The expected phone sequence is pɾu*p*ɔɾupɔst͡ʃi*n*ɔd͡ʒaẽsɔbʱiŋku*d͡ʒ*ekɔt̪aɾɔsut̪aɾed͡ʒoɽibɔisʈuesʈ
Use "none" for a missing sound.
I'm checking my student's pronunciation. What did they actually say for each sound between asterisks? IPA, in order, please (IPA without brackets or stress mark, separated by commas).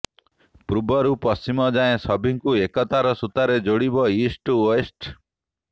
b, m, none